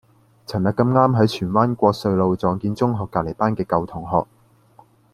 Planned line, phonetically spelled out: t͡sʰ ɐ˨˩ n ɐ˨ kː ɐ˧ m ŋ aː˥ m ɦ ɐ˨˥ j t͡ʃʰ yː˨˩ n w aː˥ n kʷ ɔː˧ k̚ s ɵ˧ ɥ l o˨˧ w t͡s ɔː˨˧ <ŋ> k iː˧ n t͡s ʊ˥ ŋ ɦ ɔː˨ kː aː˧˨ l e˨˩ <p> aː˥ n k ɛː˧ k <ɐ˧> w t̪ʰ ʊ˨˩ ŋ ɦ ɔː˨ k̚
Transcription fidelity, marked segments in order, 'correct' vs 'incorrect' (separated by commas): correct, correct, correct